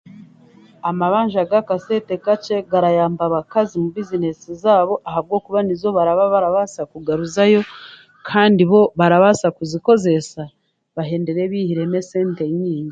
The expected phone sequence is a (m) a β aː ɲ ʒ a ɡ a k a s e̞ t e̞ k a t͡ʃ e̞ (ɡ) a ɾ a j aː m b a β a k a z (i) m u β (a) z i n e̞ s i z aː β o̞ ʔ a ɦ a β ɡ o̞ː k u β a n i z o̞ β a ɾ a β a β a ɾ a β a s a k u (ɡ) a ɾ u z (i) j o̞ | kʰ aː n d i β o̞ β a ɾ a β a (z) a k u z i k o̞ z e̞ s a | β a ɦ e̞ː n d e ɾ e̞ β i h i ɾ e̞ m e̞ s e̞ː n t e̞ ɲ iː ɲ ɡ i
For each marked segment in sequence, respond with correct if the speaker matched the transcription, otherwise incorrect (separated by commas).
correct, correct, correct, incorrect, correct, incorrect, incorrect